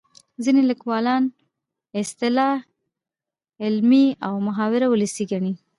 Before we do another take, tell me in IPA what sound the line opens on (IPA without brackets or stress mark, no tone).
z